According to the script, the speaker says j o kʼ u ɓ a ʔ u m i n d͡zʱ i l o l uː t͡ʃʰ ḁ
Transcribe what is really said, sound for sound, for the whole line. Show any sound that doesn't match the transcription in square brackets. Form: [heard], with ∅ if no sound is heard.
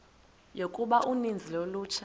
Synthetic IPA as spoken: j o kʼ u ɓ a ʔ u [n] i n d͡zʱ i l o l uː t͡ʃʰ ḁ